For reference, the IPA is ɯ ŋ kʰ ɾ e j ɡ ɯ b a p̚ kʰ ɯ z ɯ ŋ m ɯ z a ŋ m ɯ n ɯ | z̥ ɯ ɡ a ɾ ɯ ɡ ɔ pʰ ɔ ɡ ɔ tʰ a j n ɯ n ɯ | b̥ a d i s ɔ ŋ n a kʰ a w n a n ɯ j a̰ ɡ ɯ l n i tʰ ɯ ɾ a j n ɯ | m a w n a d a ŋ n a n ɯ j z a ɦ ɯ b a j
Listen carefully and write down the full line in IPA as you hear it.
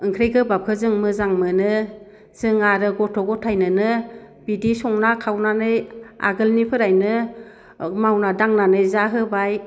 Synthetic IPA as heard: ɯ ŋ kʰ ɾ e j ɡ ɯ b a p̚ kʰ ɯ z ɯ ŋ m ɯ z a ŋ m ɯ n ɯ | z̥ ɯ ŋ a ɾ ɯ ɡ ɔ tʰ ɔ ɡ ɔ tʰ a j n ɯ n ɯ | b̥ i d i s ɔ ŋ n a kʰ a w n a n ɯ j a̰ ɡ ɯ l n i pʰ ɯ ɾ a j n ɯ | m a w n a d a ŋ n a n ɯ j z a ɦ ɯ b a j